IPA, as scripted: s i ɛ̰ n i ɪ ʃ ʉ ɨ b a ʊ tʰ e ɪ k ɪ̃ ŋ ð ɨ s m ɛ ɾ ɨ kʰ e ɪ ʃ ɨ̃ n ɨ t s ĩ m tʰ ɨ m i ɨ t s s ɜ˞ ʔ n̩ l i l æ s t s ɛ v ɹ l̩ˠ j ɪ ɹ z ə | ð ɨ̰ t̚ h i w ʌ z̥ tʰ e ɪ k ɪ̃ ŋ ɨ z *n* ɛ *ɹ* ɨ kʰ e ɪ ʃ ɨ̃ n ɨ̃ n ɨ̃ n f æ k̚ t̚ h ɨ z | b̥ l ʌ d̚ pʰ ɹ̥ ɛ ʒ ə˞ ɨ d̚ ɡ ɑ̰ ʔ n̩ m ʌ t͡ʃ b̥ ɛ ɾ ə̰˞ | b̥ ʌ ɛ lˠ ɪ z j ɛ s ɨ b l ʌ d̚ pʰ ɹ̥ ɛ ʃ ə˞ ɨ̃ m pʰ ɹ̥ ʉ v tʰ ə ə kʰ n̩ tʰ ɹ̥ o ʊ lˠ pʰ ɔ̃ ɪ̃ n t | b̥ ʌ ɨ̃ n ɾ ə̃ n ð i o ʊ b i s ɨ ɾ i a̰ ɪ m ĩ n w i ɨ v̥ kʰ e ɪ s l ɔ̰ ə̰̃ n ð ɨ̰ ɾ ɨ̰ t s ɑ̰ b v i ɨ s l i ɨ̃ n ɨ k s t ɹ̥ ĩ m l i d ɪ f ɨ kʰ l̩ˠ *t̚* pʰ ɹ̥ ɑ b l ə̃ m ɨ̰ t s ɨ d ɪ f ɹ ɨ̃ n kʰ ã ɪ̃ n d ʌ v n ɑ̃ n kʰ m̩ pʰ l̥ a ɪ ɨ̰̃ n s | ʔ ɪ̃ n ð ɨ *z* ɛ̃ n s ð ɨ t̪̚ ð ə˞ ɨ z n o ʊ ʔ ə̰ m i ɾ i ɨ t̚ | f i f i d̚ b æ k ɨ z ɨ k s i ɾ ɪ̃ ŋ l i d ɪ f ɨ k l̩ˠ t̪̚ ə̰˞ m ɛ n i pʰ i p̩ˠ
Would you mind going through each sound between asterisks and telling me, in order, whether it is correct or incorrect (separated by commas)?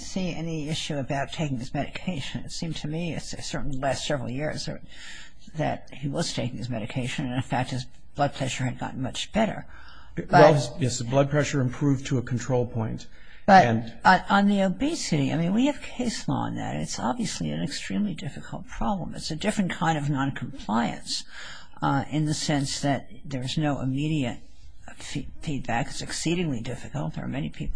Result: incorrect, incorrect, correct, incorrect